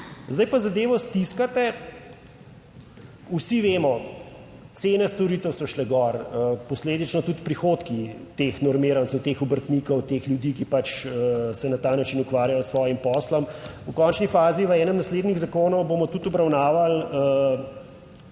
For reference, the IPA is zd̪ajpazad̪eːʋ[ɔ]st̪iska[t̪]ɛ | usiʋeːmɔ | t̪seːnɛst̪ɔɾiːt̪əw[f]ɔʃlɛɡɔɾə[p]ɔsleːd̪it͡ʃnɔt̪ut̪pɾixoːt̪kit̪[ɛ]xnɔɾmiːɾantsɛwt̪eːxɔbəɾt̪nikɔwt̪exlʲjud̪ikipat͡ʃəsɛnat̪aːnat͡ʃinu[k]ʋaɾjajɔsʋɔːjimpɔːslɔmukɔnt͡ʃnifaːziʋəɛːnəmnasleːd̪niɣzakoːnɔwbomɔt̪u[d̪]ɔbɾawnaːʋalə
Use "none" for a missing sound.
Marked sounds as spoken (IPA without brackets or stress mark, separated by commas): ɔ, t̪, s, p, e, k, t̪